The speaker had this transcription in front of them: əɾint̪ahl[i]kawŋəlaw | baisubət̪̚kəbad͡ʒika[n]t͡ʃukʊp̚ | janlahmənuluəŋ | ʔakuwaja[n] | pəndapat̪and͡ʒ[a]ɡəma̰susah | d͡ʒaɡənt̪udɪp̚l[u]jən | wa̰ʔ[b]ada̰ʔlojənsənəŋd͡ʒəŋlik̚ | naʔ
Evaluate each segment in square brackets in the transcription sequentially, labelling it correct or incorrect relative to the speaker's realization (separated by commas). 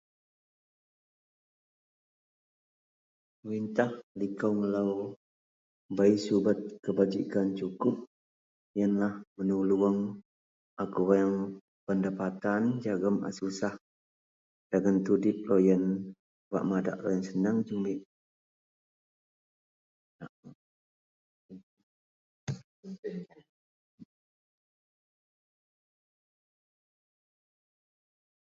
correct, correct, incorrect, correct, incorrect, incorrect